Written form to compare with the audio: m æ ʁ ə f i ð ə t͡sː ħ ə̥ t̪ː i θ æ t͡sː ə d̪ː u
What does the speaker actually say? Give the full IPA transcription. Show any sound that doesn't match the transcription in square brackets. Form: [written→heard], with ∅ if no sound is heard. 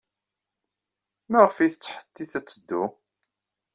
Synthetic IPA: m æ ʁ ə f i [ð→θ] ə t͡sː ħ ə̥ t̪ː i θ æ t͡sː ə d̪ː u